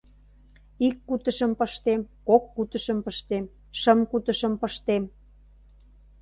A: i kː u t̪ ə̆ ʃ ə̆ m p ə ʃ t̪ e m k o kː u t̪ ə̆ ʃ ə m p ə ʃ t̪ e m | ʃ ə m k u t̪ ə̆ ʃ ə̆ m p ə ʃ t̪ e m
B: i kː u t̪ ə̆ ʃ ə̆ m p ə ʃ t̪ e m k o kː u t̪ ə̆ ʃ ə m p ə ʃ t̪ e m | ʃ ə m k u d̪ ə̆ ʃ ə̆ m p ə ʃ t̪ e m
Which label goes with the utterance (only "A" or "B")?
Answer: A